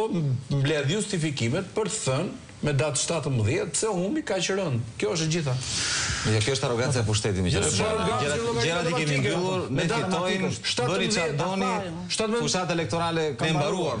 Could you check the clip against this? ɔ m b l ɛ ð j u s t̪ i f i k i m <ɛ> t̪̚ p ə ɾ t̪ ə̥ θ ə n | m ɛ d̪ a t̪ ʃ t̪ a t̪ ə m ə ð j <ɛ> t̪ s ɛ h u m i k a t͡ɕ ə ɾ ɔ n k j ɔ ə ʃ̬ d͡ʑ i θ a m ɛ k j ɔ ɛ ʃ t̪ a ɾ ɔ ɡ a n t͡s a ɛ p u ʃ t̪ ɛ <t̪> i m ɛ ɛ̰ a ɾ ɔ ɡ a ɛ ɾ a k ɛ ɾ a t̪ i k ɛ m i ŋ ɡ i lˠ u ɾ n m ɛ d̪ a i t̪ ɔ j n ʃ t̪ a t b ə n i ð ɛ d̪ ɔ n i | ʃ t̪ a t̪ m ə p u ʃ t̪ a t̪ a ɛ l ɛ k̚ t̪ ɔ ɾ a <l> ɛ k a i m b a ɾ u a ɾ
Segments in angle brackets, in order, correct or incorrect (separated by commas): correct, correct, correct, correct